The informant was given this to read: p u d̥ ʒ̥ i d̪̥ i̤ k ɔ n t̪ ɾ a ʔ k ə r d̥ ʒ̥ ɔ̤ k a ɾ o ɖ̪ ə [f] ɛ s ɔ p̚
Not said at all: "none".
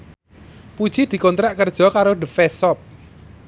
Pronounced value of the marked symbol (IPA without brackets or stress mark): f